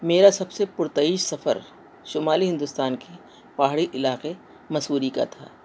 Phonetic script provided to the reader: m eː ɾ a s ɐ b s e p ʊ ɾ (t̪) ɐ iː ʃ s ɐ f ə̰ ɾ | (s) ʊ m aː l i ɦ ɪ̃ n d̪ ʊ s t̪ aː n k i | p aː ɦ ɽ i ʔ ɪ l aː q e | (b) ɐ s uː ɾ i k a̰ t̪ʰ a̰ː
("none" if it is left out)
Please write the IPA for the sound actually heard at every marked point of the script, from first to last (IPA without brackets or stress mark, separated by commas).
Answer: t̪, ʃ, m